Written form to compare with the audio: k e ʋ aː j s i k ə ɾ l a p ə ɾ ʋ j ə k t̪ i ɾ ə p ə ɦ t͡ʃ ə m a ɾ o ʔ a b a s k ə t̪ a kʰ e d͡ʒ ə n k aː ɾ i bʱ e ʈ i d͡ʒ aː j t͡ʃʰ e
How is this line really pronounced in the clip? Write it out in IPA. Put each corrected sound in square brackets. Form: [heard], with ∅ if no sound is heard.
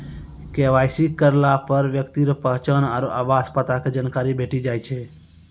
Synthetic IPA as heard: k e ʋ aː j s i k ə ɾ l a p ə ɾ ʋ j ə k t̪ i ɾ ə p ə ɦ t͡ʃ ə [n] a ɾ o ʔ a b a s [p] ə t̪ a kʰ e d͡ʒ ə n k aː ɾ i bʱ e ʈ i d͡ʒ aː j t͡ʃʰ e